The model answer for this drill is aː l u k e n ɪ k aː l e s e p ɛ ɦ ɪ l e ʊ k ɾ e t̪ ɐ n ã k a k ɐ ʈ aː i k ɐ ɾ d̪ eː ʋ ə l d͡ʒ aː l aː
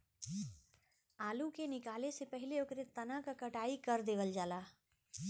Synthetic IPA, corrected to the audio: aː l u k e n ɪ k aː l e s e p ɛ ɦ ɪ l e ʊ k ɾ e t̪ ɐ n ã k a k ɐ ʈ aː i k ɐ ɾ d̪ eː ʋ ə l d͡ʒ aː l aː